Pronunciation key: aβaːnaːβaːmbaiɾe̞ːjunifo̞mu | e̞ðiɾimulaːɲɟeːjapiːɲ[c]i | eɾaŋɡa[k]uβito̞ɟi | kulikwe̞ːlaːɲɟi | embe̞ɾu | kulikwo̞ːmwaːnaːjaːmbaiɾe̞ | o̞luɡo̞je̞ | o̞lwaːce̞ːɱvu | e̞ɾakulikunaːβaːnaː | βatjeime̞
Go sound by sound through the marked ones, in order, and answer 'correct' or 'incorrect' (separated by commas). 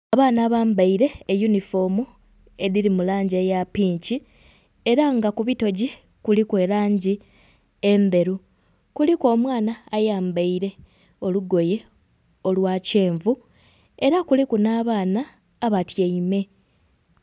correct, correct